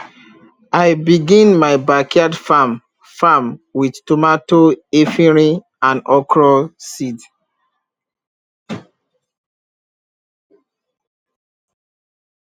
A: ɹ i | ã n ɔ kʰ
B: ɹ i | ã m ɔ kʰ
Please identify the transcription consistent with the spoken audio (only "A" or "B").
A